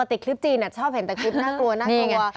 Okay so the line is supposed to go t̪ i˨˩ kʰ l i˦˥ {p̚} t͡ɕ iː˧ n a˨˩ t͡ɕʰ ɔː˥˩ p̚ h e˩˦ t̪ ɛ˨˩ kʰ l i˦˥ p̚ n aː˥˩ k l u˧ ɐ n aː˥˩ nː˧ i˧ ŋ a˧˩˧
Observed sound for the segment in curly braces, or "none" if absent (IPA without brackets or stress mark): p̚